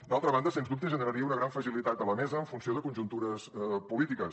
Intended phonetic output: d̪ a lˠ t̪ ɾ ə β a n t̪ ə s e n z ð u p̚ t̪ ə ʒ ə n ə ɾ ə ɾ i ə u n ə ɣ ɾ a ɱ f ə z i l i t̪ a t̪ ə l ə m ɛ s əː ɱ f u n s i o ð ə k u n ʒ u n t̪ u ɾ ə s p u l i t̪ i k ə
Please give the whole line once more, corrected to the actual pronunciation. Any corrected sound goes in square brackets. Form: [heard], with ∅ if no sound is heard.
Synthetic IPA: d̪ a lˠ t̪ ɾ ə β a n [d̪] ə s e n z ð u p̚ t̪ ə ʒ ə n ə ɾ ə ɾ i ə u n ə ɣ ɾ a ɱ f ə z i l i t̪ a t̪ ə l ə m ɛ [z] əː ɱ f u n s i o ð ə k u n ʒ u n t̪ u ɾ ə s p u l i t̪ i k ə